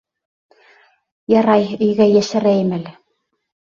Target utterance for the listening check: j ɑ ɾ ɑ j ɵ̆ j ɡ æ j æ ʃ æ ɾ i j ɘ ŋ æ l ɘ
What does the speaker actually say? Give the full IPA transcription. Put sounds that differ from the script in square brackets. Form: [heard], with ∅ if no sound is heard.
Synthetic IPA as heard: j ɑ ɾ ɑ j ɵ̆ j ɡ æ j æ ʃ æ ɾ [æ] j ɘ [m] æ l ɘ